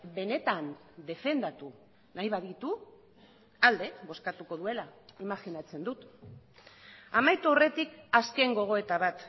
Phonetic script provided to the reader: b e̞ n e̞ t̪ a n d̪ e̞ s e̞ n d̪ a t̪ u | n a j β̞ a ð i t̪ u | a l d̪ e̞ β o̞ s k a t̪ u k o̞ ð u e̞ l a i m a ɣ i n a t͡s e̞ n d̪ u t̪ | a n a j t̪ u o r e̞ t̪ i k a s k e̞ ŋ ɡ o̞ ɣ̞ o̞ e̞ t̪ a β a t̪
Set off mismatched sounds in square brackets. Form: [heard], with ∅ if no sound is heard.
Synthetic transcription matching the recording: b e̞ n e̞ t̪ a n d̪ e̞ [f] e̞ n d̪ a t̪ u | n a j β̞ a ð i t̪ u | a l d̪ e̞ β o̞ s k a t̪ u k o̞ ð u e̞ l a i m a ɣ i n a t͡s e̞ n d̪ u t̪ | a [m] a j t̪ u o r e̞ t̪ i k a s k e̞ ŋ ɡ o̞ ɣ̞ o̞ e̞ t̪ a β a t̪